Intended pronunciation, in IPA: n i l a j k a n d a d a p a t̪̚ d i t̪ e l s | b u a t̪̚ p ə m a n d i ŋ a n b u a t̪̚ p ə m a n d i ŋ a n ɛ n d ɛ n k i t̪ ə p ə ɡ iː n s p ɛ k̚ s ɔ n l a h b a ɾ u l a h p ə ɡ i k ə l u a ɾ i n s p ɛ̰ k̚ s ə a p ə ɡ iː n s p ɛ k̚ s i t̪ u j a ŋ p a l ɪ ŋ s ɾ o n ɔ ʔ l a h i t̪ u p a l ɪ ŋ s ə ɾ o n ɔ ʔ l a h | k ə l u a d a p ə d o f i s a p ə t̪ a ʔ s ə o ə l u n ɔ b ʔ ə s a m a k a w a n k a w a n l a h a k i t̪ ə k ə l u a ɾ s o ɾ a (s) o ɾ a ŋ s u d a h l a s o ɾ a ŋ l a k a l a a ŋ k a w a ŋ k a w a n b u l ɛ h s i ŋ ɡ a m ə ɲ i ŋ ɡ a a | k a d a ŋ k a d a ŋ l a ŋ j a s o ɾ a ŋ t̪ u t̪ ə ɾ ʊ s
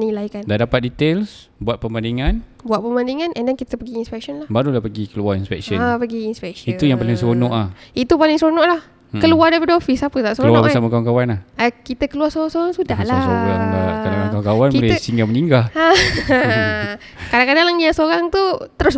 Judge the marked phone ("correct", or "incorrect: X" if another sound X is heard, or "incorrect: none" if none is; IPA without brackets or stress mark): correct